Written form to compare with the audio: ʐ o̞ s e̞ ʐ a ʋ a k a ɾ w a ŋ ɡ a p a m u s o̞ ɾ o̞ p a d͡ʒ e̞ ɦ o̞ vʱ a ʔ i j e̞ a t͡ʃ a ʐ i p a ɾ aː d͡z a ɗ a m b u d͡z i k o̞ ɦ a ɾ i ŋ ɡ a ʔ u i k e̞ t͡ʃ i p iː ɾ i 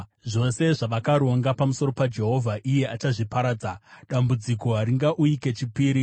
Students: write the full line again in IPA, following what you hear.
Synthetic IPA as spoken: ʐ o̞ s e̞ ʐ a ʋ a k a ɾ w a ŋ ɡ a p a m u s o̞ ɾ o̞ p a d͡ʒ e̞ ɦ o̞ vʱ a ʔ i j e̞ a t͡ʃ a ʐ i p a ɾ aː d͡z a ɗ a m b u d͡z i k o̞ ɦ a ɾ i ŋ ɡ a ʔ u i k e̞ t͡ʃ i p iː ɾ i

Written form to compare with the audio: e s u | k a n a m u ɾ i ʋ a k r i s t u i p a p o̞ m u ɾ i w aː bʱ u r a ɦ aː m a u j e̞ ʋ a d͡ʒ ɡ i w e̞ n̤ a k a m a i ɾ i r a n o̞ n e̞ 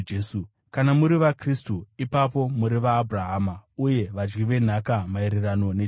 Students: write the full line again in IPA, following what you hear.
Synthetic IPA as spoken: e s u | k a n a m u ɾ i ʋ a k r i s t u i p a p o̞ m u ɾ i ʋ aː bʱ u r a ɦ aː m a u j e̞ ʋ a d͡ʒ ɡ i ʋ e̞ n̤ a k a m a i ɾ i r a n o̞ n e̞

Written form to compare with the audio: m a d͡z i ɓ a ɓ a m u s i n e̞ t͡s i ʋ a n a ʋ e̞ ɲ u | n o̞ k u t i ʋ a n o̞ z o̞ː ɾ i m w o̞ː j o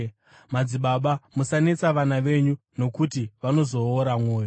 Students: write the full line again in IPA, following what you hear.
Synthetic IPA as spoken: m a d͡z i ɓ a ɓ a m u s a n e̞ t͡s a ʋ a n a ʋ e̞ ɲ u | n o̞ k u t i ʋ a n o̞ z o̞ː ɾ a m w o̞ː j o

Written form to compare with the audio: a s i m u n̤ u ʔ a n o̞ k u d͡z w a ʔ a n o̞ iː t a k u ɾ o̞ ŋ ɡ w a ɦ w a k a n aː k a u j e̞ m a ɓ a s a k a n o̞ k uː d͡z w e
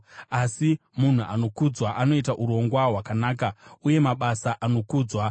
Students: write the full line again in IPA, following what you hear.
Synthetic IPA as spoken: a s i m u n̤ u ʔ a n o̞ k u d͡z w a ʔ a n o̞ i t a ʔ u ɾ o̞ ŋ ɡ w a ɦ w a k a n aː k a u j e̞ m a ɓ a s a ʔ a n o̞ k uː d͡z w a

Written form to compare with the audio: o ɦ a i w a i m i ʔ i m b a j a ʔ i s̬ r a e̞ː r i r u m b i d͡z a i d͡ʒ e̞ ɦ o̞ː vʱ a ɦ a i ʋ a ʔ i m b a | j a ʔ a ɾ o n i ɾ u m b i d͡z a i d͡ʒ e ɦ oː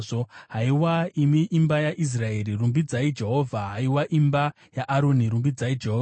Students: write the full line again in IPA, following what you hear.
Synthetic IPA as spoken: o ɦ a i w a i m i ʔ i m b a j a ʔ i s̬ r a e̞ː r i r u m b i d͡z a i d͡ʒ e̞ ɦ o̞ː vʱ a ɦ a i w a ʔ i m b a | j a ʔ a ɾ o n i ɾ u m b i d͡z a i d͡ʒ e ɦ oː

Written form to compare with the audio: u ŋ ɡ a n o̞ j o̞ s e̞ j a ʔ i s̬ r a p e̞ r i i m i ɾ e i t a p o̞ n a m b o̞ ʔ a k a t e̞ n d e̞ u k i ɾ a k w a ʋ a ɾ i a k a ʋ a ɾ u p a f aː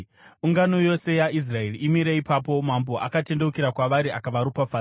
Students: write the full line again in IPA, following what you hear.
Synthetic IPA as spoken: u ŋ ɡ a n o̞ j o̞ s e̞ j a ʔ i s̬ r a e̞ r i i m i ɾ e i p a p o̞ m a m b o̞ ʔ a k a t e̞ n d e̞ u k i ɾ a k w a ʋ a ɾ i a k a ʋ a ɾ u p a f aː

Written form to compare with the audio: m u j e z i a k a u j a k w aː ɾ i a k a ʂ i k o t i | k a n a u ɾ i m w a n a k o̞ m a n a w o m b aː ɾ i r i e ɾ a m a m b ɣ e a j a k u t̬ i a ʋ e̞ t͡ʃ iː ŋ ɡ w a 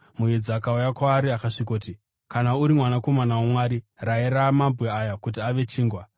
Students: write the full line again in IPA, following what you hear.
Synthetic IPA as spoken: m u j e d͡z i a k a u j a k w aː ɾ i a k a ʂ i k o t i | k a n a u ɾ i m w a n a k o̞ m a n a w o m w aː ɾ i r a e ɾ a m a m b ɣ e a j a k u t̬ i a ʋ e̞ t͡ʃ iː ŋ ɡ w a

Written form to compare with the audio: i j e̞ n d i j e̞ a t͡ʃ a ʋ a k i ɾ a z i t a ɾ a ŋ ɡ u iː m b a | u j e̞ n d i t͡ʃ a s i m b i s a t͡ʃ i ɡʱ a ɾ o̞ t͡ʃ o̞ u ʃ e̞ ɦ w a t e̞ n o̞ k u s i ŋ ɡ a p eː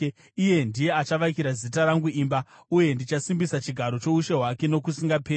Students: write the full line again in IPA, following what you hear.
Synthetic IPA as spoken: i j e̞ n d i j e̞ a t͡ʃ a ʋ a k i ɾ a z i t a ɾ a ŋ ɡ u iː m b a | u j e̞ n d i t͡ʃ a s i m b i s a t͡ʃ i ɡʱ a ɾ o̞ t͡ʃ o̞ u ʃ e̞ ɦ w a k e̞ n o̞ k u s i ŋ ɡ a p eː

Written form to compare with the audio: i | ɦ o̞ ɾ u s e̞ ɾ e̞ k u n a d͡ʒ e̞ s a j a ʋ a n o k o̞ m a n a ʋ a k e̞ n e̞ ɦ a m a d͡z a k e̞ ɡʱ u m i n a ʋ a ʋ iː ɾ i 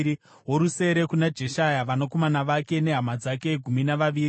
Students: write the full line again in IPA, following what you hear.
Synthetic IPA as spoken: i | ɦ o̞ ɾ u s e̞ ɾ e̞ k u n a d͡ʒ e̞ ʃ a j a ʋ a n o k o̞ m a n a ʋ a k e̞ n e̞ ɦ a m a d͡z a k e̞ ɡʱ u m i n a ʋ a ʋ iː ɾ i

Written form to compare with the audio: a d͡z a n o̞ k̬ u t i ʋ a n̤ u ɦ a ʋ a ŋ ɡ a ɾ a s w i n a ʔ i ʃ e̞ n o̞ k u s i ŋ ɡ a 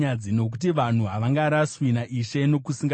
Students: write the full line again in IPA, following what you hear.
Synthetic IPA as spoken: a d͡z i n o̞ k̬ u t i ʋ a n̤ u ɦ a ʋ a ŋ ɡ a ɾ a s w i n a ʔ i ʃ e̞ n o̞ k u s i ŋ ɡ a

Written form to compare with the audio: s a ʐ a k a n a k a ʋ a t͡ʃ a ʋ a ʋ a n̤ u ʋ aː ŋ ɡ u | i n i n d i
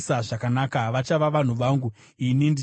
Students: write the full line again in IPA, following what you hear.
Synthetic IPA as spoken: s a ʐ a k a n a k a ʋ a t͡ʃ a ʋ a ʋ a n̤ u ʋ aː ŋ ɡ u | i n i n d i

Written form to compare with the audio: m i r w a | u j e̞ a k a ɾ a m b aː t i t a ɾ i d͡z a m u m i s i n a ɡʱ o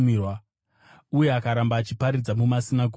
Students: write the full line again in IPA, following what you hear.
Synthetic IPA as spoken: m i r w a | u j e̞ a k a ɾ a m b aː t͡ʃ i p a ɾ i d͡z a m u m a s i n a ɡʱ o

